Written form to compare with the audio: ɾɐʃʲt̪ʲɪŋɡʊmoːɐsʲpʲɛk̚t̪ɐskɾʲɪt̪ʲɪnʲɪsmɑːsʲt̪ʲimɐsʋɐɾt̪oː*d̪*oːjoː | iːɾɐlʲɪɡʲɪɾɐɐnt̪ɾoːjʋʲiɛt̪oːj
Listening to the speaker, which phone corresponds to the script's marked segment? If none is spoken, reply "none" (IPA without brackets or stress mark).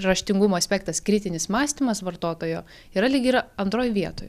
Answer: t̪